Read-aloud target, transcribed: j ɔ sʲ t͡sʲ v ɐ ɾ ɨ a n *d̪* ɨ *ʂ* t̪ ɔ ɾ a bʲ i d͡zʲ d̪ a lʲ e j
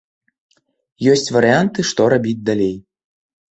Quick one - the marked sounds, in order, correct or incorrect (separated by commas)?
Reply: incorrect, correct